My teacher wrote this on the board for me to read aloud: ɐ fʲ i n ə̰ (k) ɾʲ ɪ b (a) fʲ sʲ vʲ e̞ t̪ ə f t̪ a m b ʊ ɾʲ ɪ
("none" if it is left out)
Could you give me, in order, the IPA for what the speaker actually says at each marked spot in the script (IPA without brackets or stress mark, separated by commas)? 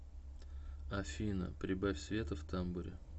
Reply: p, a